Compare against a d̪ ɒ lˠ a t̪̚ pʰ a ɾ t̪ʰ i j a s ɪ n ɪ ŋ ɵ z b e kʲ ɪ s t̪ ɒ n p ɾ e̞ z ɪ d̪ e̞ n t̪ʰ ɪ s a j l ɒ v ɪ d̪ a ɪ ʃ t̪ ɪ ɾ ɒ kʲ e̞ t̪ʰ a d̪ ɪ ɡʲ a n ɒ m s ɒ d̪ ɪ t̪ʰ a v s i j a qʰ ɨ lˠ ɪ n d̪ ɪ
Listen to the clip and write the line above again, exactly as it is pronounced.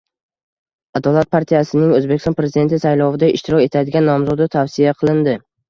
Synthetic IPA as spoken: a d̪ ɒ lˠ a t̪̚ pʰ a ɾ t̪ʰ i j a s ɪ n ɪ ŋ ɵ z b e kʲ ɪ s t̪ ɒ n p ɾ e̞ z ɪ d̪ e̞ n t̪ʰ ɪ s a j l ɒ v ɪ d̪ a ɪ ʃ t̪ ɪ ɾ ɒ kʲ e̞ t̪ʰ a d̪ ɪ ɡʲ a nː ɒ m z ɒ d̪ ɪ t̪ʰ a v s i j a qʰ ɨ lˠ ɪ n d̪ ɪ